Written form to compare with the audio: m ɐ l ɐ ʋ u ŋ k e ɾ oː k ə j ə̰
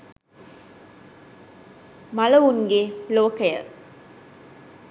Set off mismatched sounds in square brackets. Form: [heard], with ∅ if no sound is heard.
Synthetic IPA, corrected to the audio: m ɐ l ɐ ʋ u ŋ [ɡ] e [l] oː k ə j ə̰